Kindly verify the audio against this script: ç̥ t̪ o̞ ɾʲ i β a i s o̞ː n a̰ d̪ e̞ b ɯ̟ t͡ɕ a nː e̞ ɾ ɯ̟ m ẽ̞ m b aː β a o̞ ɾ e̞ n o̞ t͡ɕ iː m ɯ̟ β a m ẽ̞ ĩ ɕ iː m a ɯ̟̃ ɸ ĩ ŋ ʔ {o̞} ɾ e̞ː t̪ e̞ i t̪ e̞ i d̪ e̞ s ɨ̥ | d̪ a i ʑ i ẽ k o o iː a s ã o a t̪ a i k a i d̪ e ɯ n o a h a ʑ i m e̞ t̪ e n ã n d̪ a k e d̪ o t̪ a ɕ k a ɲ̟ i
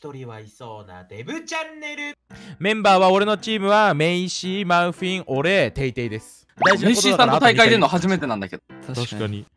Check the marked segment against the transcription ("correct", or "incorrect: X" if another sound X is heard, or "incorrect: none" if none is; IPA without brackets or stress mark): correct